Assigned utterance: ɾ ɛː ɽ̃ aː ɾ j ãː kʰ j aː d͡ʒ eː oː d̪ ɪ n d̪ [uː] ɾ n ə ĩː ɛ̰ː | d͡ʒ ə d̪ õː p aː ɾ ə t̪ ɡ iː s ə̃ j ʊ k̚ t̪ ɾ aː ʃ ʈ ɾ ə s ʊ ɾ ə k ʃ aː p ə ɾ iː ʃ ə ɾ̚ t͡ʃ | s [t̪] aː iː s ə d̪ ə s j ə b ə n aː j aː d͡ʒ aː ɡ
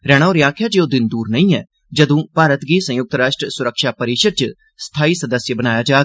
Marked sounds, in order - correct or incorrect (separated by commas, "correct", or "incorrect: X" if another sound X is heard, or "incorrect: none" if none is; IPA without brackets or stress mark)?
correct, incorrect: t̪ʰ